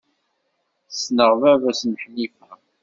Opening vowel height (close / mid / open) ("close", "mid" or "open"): mid